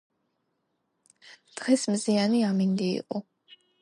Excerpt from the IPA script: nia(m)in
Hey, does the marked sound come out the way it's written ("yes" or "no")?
yes